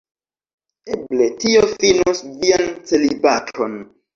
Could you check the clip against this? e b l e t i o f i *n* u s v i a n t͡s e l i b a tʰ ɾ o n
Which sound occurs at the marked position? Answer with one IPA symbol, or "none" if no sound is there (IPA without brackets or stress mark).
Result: n